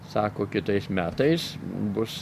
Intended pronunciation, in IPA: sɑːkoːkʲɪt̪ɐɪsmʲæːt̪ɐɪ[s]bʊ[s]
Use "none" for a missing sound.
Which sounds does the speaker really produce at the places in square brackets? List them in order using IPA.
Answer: s, s

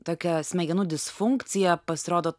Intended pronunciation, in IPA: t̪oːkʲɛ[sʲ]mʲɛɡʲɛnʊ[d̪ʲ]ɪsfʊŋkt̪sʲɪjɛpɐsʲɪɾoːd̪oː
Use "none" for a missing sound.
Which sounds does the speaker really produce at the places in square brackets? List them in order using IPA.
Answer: sʲ, d̪ʲ

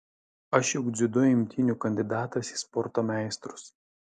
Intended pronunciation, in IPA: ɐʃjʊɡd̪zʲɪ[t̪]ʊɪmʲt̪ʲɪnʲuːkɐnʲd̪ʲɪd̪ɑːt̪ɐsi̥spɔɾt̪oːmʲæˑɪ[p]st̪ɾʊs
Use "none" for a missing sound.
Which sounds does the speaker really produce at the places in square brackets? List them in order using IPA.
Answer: d̪, none

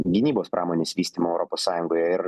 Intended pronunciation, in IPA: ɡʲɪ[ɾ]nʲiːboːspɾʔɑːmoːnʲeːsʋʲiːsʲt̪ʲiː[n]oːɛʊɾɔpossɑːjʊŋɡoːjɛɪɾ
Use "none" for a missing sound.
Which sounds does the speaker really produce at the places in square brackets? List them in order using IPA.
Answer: none, m

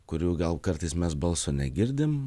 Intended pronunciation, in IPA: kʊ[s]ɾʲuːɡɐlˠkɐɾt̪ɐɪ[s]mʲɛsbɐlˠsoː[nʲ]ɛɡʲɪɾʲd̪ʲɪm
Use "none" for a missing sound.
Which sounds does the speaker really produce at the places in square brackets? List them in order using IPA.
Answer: none, s, nʲ

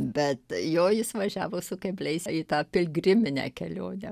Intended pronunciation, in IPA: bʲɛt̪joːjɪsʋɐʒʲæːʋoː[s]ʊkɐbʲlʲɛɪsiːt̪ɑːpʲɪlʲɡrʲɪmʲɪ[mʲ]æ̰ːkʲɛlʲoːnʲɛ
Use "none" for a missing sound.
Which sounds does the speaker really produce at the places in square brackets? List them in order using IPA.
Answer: s, nʲ

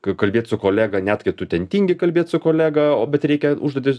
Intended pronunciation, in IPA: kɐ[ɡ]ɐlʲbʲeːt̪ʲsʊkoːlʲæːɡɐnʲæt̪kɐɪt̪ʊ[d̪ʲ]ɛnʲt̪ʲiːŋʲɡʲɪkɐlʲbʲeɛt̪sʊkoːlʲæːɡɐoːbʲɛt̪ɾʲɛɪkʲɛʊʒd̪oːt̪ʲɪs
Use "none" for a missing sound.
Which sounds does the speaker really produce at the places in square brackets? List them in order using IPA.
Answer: k, t̪ʲ

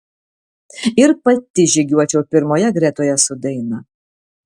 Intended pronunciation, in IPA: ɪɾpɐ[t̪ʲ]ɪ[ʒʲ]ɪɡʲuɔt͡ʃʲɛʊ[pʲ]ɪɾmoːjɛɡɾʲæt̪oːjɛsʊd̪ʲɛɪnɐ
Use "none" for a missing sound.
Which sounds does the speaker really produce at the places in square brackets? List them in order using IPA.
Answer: t̪ʲ, ʒʲ, pʲ

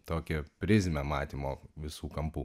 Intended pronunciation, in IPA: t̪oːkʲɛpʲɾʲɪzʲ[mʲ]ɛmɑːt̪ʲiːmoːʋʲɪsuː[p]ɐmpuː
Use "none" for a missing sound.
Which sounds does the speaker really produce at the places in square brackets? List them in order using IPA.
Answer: mʲ, k

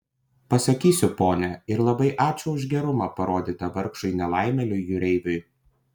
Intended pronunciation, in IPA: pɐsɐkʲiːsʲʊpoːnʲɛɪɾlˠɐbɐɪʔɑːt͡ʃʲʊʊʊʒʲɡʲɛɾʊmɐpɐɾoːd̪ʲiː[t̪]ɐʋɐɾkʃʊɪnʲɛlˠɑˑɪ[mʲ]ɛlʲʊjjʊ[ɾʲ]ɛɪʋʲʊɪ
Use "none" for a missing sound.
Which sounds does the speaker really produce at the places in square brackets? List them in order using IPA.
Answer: t̪, mʲ, ɾʲ

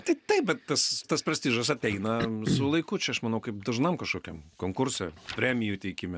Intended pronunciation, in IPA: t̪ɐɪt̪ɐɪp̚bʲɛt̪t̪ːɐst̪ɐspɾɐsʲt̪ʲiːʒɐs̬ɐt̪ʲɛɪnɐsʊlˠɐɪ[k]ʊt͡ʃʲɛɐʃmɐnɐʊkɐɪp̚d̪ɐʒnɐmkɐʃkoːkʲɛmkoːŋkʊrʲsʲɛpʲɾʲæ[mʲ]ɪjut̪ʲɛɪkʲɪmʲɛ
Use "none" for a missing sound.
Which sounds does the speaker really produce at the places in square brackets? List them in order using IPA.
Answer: k, mʲ

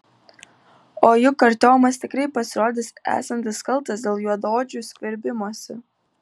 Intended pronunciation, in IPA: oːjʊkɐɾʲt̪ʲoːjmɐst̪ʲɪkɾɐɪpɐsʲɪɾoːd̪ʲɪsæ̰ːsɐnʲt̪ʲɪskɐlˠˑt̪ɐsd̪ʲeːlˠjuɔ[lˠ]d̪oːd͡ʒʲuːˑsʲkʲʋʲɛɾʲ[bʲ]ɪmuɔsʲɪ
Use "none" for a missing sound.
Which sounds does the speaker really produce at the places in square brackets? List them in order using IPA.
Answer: none, bʲ

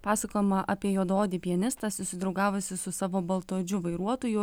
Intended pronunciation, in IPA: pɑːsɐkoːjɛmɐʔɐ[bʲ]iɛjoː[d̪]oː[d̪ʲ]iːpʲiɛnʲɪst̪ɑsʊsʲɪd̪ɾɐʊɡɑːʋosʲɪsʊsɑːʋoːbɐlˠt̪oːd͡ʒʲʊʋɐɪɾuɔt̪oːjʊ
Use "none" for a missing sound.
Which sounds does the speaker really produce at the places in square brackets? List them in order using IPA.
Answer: pʲ, d̪, d̪ʲ

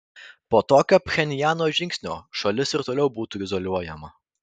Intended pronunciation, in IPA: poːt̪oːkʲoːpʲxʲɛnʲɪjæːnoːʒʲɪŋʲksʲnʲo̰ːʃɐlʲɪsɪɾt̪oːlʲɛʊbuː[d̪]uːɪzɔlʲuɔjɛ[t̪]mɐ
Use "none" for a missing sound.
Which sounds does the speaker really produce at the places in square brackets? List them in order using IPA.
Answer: t̪, none

